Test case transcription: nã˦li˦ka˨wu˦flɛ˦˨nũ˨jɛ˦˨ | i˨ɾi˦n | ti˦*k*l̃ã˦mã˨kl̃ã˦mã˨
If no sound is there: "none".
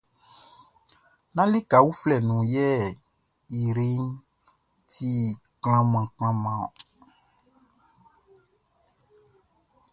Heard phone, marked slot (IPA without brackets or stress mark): k